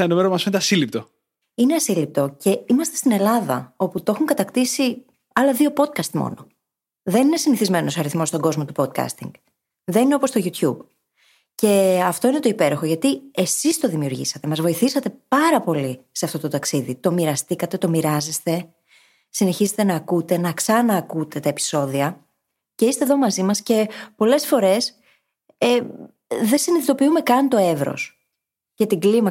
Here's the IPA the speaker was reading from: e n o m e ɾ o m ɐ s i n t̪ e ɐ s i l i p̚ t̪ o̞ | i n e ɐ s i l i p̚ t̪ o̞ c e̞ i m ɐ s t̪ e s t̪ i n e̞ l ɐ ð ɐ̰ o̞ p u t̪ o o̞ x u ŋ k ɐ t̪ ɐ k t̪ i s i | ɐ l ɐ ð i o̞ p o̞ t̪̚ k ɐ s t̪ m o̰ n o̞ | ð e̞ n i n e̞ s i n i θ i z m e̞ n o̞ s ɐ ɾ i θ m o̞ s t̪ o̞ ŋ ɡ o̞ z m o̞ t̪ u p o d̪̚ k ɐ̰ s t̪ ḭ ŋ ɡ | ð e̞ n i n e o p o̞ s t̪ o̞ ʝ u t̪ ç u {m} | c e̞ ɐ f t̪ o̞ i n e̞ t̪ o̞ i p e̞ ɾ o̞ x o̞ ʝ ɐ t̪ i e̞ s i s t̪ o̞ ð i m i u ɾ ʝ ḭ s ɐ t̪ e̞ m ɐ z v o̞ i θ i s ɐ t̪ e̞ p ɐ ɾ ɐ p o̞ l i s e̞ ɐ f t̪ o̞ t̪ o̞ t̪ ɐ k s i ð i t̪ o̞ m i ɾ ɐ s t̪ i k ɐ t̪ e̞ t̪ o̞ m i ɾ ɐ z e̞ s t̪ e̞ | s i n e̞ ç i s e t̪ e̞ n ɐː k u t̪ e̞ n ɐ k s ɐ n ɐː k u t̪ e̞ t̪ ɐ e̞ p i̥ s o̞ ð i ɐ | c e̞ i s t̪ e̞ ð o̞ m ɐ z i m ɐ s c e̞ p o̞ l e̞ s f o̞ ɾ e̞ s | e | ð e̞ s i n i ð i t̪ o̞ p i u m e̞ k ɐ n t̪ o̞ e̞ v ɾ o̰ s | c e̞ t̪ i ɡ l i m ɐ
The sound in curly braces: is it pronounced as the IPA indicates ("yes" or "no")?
no